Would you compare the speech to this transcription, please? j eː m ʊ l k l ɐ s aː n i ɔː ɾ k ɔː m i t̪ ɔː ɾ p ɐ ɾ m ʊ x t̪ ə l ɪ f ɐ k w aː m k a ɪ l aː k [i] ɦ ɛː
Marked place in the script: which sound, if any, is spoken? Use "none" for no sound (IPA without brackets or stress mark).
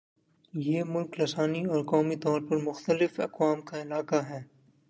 a